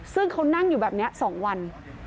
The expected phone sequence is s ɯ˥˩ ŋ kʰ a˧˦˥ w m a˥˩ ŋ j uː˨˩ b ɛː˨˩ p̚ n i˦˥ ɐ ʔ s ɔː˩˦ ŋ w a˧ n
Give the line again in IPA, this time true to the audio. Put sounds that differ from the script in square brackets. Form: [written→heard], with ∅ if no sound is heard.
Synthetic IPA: s ɯ˥˩ ŋ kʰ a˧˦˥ w [m→n] a˥˩ ŋ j uː˨˩ b ɛː˨˩ p̚ n i˦˥ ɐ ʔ s ɔː˩˦ ŋ w a˧ n